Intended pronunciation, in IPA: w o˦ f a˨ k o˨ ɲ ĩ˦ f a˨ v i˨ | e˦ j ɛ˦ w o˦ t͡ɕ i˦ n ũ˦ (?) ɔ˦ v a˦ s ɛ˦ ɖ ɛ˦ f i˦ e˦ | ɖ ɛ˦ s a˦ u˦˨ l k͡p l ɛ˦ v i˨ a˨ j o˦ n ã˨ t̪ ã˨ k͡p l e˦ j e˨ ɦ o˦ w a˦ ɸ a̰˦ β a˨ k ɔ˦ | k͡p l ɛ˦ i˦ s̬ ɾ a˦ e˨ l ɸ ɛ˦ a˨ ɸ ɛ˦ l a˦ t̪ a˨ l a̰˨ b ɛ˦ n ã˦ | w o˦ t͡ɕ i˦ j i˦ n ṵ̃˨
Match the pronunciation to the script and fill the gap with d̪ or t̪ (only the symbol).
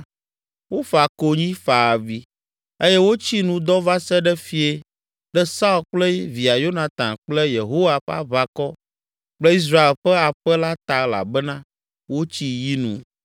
d̪